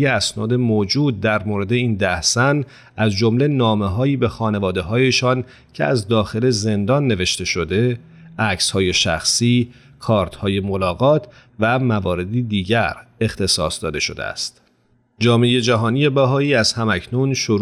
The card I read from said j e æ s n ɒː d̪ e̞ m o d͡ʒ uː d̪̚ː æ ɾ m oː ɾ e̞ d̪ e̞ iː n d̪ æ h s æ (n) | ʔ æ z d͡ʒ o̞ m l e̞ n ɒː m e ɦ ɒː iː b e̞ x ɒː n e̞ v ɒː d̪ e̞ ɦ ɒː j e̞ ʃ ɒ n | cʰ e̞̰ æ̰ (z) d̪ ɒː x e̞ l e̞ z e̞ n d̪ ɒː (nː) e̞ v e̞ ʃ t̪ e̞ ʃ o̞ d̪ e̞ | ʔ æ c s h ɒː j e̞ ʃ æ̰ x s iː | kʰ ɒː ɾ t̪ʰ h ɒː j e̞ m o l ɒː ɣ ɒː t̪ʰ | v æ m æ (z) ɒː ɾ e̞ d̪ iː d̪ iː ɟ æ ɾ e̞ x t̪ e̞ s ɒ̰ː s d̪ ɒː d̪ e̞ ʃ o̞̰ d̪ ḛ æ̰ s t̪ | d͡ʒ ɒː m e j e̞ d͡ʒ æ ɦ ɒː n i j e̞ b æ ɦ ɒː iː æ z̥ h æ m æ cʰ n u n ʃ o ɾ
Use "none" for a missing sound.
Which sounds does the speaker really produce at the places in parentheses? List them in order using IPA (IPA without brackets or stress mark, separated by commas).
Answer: n, z, nː, v